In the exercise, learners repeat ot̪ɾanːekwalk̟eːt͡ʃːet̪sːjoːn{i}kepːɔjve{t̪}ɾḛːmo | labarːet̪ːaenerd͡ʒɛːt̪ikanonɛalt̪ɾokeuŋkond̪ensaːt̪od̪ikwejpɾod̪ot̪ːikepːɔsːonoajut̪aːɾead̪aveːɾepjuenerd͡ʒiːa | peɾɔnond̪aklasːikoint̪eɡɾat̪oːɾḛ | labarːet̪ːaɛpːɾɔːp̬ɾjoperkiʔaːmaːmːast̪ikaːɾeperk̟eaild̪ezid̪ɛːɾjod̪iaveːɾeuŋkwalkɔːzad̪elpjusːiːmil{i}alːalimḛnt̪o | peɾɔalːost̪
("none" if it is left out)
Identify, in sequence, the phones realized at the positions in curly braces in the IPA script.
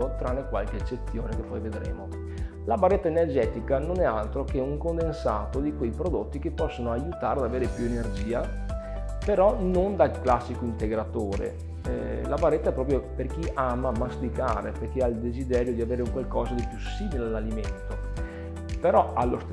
e, d̪, e

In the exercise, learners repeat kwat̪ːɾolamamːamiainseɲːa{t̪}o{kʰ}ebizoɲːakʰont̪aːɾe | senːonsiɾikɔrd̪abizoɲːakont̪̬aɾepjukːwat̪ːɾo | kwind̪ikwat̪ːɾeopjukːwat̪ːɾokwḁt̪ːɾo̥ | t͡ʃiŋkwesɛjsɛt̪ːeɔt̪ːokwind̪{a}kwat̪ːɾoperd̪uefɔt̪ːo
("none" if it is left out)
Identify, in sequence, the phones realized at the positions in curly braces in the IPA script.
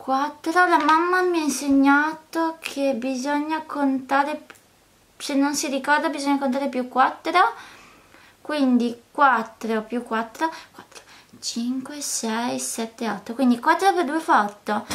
t̪, kʰ, i

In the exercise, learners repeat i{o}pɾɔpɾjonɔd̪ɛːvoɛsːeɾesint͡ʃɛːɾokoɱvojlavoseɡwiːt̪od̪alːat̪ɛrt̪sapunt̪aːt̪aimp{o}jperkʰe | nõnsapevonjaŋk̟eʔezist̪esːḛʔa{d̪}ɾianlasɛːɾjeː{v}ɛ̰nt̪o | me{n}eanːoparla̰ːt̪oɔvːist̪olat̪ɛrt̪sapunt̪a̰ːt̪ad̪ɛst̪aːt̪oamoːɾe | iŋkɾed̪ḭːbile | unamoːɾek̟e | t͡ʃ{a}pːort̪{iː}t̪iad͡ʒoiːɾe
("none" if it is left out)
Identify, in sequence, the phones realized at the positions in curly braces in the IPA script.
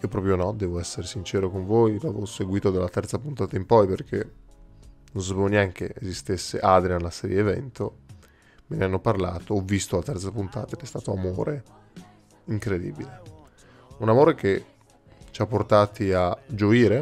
o, ɔ, d̪, v, n, a, aː

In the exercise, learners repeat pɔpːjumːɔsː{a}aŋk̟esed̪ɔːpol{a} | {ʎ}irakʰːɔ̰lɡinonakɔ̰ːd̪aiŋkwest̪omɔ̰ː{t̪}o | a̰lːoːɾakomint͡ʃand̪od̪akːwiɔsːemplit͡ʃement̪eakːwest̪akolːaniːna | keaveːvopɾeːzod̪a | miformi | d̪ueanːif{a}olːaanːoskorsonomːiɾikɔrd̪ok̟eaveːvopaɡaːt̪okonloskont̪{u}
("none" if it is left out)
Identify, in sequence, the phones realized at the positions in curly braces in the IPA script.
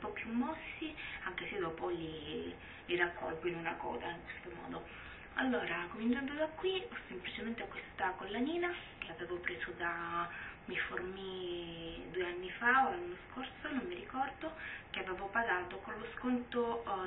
i, i, l, d̪, a, o

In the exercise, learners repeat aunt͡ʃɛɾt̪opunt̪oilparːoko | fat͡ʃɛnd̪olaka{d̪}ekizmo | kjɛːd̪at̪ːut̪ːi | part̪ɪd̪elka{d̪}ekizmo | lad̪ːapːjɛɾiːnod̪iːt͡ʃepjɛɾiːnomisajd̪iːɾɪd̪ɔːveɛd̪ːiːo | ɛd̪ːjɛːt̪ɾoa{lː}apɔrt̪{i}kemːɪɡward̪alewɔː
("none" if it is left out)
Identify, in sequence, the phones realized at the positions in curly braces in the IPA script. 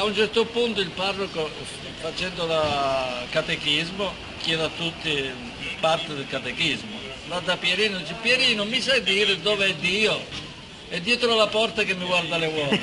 t̪, t̪, l, a

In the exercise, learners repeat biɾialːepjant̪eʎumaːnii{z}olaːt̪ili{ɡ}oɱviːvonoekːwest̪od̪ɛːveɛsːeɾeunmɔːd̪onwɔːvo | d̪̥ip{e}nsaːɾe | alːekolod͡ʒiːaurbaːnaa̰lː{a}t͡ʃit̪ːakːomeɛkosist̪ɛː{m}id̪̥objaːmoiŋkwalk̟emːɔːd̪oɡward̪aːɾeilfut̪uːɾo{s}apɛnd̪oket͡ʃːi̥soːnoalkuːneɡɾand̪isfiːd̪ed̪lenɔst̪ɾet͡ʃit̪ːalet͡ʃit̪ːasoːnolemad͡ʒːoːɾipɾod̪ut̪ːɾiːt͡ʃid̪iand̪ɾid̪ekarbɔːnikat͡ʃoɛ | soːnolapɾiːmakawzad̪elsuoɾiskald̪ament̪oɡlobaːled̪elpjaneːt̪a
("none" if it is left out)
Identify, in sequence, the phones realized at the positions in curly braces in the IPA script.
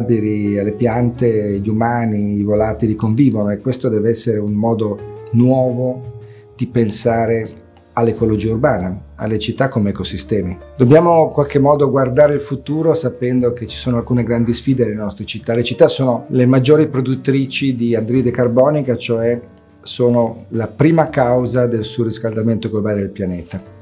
v, k, e, e, m, s

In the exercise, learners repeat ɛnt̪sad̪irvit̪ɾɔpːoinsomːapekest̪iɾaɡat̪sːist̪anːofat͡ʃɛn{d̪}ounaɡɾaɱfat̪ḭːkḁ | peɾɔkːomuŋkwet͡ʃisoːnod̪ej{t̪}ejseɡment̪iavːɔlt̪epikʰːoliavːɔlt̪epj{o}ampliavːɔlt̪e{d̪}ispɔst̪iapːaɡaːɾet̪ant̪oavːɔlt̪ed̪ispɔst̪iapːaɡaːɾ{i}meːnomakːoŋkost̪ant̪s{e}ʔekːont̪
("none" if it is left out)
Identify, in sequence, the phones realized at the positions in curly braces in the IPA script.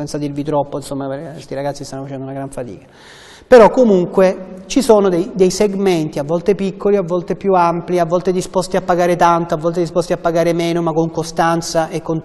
d̪, d̪, u, d̪, e, a

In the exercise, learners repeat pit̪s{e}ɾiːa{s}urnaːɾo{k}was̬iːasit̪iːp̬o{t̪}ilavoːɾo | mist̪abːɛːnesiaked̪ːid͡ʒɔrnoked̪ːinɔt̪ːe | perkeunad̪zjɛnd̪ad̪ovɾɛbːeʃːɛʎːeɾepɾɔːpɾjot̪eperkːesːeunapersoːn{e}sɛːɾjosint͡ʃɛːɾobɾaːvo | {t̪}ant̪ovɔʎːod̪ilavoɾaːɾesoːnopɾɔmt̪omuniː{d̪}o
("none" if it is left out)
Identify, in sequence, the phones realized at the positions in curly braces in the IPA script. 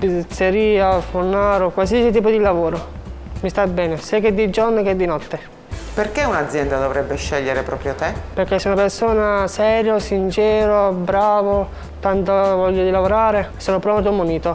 e, f, k, d̪, a, t̪, t̪

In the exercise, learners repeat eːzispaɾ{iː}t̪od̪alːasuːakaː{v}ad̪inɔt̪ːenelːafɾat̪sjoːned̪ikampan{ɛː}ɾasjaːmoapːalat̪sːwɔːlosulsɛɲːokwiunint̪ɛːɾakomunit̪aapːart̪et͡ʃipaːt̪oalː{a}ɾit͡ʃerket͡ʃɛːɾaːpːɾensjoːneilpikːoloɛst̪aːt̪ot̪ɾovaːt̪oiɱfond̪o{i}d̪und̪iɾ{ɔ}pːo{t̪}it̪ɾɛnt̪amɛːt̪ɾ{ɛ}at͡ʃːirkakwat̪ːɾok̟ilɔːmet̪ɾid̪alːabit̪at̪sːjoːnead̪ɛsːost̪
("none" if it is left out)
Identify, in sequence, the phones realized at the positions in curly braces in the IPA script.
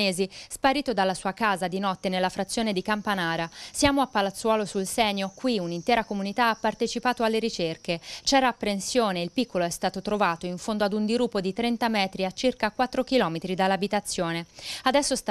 iː, z, aː, e, a, u, d̪, i

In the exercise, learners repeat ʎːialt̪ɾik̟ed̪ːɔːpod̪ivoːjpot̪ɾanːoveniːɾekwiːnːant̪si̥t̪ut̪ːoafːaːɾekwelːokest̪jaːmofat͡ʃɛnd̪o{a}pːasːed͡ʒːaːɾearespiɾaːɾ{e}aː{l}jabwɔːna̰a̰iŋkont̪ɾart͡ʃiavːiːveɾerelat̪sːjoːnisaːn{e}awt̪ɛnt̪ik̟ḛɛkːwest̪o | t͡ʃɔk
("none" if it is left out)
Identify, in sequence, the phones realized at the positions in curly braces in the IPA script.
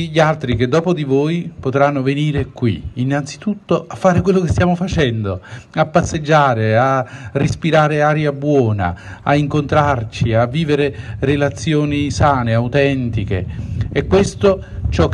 a, e, ɾ, e

